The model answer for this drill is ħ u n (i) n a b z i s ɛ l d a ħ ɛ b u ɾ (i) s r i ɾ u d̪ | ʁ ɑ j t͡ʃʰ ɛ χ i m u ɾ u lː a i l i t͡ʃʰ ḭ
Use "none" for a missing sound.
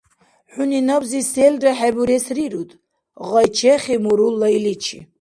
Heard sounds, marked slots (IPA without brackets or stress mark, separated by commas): i, ɛ